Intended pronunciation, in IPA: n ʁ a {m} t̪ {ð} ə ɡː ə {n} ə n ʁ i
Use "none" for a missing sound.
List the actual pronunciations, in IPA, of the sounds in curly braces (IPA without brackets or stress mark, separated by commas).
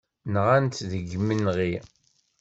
n, ð, m